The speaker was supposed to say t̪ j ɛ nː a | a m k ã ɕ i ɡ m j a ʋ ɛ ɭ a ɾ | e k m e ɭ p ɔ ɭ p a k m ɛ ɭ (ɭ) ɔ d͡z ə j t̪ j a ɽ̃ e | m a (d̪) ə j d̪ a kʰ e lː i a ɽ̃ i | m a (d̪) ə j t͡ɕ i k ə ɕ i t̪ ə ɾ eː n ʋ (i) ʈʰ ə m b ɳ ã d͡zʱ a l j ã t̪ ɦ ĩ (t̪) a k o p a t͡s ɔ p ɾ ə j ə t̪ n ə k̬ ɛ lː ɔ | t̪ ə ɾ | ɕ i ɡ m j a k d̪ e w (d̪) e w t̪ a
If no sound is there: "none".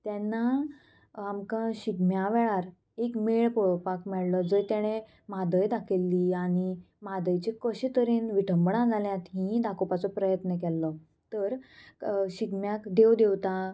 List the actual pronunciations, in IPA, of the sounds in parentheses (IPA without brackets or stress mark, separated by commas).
l, d̪, d̪, i, d̪, d̪